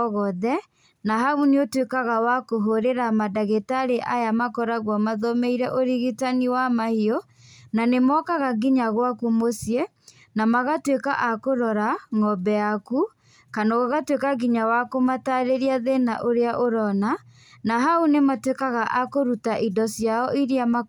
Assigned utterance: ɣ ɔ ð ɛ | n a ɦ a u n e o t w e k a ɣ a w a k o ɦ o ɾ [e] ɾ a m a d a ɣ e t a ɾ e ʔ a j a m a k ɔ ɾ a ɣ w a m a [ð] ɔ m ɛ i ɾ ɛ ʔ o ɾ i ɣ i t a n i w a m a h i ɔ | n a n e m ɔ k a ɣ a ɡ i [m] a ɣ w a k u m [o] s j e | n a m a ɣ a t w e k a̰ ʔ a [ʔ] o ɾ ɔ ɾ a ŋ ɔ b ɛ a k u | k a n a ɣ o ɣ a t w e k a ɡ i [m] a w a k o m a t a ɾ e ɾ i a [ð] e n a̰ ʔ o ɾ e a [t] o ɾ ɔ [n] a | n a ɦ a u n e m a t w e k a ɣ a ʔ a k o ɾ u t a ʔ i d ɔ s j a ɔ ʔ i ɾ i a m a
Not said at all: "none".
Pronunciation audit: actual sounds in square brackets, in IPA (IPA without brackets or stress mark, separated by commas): e, ð, ɲ, o, k, ɲ, ð, ʔ, n